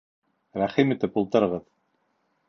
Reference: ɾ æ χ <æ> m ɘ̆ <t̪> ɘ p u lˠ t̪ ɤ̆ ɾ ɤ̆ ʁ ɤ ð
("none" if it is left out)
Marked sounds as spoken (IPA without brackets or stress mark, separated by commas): i, t̪